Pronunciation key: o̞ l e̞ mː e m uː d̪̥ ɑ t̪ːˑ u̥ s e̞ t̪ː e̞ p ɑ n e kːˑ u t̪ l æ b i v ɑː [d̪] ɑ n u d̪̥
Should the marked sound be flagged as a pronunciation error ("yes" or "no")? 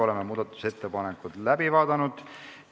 no